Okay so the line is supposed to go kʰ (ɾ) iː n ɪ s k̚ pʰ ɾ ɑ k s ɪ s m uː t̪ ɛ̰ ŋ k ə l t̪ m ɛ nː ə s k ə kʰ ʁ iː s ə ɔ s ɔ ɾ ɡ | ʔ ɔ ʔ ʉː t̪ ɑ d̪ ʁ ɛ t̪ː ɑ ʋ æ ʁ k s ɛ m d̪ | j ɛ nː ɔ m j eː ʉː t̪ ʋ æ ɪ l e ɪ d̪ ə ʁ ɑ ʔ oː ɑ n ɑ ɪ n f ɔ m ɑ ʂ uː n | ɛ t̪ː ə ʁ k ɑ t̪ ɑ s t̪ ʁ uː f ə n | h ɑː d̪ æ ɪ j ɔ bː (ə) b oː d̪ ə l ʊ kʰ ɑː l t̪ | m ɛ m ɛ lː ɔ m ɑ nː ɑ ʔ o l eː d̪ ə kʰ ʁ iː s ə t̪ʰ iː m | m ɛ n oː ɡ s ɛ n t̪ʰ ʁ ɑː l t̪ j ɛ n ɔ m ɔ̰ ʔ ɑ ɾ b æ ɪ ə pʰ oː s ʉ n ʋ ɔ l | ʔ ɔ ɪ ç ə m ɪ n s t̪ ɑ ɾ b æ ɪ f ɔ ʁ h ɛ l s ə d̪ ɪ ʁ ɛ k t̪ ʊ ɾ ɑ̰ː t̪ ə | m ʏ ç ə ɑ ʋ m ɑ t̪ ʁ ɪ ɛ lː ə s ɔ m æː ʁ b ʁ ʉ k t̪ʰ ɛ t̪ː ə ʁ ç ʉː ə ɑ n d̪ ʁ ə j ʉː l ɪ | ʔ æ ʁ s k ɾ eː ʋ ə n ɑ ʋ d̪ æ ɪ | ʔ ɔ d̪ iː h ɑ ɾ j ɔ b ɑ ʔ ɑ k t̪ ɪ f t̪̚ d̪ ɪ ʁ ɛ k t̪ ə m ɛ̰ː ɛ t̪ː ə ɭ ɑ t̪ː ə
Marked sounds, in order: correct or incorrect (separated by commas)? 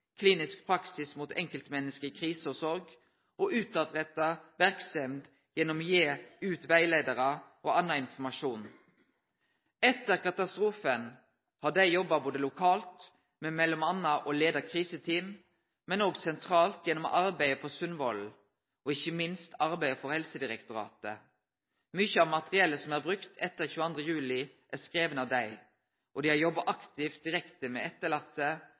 incorrect, incorrect